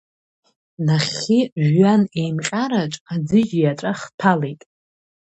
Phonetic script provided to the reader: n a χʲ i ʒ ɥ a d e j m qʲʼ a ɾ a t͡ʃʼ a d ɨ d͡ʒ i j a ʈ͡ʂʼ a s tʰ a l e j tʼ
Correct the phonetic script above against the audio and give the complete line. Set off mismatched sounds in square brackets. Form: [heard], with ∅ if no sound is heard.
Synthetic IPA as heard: n a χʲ i ʒ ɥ a [n] e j m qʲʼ a ɾ a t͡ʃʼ a [d͡z] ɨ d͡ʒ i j a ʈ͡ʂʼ a [χ] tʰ a l e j tʼ